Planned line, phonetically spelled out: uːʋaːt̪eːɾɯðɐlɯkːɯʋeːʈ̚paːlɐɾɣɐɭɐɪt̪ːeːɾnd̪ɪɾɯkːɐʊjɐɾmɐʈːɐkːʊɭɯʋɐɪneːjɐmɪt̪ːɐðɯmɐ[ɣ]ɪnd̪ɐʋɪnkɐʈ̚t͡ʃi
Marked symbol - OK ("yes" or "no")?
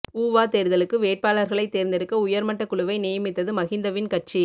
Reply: yes